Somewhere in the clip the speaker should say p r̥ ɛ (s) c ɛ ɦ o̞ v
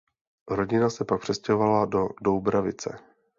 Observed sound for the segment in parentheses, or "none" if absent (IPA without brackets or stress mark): s